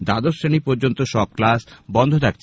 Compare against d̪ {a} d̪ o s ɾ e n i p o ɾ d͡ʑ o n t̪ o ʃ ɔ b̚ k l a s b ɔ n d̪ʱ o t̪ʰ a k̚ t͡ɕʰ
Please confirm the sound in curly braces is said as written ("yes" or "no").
yes